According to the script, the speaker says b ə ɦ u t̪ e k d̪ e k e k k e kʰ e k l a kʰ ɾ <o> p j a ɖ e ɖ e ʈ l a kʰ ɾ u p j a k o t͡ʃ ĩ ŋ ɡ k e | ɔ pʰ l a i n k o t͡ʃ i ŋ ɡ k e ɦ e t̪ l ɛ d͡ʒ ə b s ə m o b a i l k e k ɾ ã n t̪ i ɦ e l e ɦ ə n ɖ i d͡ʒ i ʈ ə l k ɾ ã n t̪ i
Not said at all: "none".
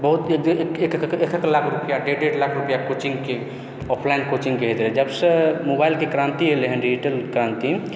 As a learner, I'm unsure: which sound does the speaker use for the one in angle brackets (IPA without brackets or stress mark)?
u